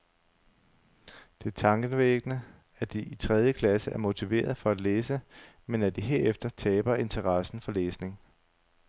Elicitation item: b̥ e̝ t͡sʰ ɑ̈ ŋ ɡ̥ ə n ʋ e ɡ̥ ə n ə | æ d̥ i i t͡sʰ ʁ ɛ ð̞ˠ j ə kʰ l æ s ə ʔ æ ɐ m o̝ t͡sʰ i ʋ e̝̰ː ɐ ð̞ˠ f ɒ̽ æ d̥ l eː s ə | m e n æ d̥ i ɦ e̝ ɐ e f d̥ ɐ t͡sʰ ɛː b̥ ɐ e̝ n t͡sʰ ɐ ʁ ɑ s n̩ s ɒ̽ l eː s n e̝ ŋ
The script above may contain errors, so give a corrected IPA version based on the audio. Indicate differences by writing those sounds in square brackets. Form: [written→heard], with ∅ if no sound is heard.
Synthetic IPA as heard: [b̥→d̥] e̝ t͡sʰ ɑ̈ ŋ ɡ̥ ə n ʋ e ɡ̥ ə n ə | æ d̥ i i t͡sʰ ʁ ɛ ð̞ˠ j ə kʰ l æ s ə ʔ æ ɐ m o̝ t͡sʰ i ʋ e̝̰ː ɐ ð̞ˠ f ɒ̽ æ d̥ l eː s ə | m e n æ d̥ i ɦ e̝ ɐ e f d̥ ɐ t͡sʰ ɛː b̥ ɐ e̝ n t͡sʰ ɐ ʁ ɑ s n̩ [s→f] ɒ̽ l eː s n e̝ ŋ